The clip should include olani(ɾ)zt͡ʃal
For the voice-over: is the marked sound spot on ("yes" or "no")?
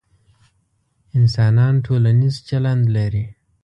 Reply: no